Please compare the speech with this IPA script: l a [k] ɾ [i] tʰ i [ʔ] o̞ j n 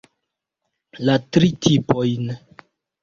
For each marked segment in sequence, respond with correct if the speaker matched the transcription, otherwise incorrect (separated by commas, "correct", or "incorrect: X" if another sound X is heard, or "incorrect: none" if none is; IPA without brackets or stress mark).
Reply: incorrect: t, correct, incorrect: p